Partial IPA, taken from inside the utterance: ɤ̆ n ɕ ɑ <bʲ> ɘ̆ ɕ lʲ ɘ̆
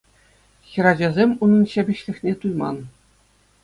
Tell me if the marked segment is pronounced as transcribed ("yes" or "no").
yes